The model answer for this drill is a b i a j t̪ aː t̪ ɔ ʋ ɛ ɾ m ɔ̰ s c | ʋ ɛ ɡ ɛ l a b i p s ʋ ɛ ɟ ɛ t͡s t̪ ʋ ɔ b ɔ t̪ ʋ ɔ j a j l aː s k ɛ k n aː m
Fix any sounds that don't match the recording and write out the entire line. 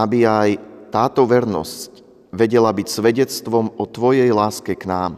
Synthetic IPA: a b i a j t̪ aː t̪ ɔ ʋ ɛ ɾ n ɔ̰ s c | ʋ ɛ ɟ ɛ l a b i c s ʋ ɛ ɟ ɛ t͡s t̪ ʋ ɔ m ɔ t̪ ʋ ɔ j ɛ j l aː s k ɛ k n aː m